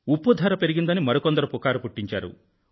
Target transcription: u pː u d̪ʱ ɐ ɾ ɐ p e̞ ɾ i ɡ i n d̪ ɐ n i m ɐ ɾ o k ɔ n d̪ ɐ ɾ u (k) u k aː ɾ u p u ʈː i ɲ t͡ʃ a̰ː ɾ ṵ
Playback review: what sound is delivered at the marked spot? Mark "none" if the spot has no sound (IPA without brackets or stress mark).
p